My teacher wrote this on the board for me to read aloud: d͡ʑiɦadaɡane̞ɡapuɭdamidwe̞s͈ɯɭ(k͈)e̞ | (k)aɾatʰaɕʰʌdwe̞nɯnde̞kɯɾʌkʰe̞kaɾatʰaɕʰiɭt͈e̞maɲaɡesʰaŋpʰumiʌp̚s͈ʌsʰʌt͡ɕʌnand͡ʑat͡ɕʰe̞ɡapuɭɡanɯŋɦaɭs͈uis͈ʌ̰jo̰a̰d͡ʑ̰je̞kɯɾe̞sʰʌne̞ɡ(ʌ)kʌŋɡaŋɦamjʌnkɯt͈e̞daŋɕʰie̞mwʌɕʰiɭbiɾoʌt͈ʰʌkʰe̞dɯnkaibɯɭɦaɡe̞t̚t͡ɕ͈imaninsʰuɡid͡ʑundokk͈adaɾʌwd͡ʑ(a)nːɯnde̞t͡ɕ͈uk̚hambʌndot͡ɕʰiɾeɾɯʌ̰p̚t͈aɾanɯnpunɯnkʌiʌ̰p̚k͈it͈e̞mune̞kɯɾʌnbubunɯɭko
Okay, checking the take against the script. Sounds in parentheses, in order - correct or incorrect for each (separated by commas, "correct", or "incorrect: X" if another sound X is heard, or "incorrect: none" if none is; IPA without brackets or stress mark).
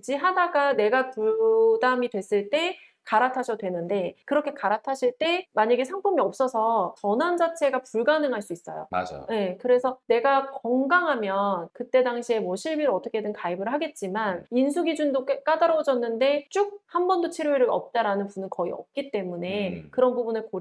incorrect: t͈, correct, incorrect: a, incorrect: ʌ